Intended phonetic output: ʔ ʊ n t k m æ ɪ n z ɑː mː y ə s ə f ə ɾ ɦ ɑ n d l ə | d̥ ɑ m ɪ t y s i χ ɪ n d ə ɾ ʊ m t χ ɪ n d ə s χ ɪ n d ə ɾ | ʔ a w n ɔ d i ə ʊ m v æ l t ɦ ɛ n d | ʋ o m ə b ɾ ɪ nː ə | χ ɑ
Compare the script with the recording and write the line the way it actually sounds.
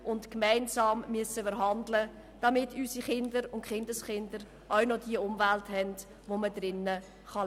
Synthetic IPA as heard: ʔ ʊ n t k m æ ɪ n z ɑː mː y ə s ə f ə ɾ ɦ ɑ n d l ə | d̥ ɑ m ɪ t y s i χ ɪ n d ə ɾ ʊ n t χ ɪ n d ə s χ ɪ n d ə ɾ | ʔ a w n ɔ d i ə ʊ m v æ l t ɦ ɛ n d | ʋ o m ə d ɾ ɪ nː ə | χ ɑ